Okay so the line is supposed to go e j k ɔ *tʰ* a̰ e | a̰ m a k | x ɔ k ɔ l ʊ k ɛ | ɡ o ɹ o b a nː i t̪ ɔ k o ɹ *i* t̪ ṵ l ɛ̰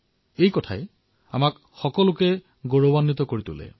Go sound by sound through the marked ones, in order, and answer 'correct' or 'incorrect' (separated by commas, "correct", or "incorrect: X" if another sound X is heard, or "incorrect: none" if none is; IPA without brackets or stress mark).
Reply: correct, correct